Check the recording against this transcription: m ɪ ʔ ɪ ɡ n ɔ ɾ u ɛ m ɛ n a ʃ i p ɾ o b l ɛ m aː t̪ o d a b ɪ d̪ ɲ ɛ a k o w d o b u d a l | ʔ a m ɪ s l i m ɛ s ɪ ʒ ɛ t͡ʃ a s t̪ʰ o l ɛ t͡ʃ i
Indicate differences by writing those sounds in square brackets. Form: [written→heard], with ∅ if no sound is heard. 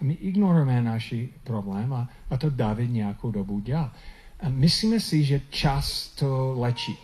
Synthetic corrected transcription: m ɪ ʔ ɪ ɡ n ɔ ɾ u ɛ m ɛ n a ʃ i p ɾ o b l ɛ m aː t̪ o d a [b→v] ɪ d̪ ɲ ɛ a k o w d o b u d a l | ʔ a m ɪ s l i m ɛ s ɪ ʒ ɛ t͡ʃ a s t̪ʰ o l ɛ t͡ʃ i